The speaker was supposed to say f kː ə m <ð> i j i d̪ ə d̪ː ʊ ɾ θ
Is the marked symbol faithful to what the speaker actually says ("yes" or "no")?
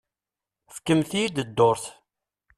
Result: no